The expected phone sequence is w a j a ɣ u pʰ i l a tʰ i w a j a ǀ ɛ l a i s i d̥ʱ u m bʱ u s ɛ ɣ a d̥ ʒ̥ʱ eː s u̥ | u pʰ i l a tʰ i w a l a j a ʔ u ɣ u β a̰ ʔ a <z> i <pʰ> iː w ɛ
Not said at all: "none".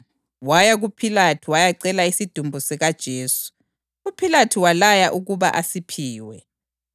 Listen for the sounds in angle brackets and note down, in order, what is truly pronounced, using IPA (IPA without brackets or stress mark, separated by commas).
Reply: s, pʰ